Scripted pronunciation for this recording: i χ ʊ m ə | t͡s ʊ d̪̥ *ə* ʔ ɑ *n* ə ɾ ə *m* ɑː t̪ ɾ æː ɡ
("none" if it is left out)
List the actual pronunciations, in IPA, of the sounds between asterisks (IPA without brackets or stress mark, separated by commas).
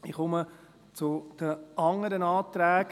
ə, ŋ, n